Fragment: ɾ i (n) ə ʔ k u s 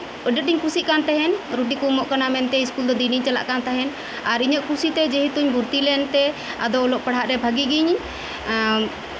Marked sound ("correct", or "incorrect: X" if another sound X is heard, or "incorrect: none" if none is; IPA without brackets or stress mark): incorrect: ɲ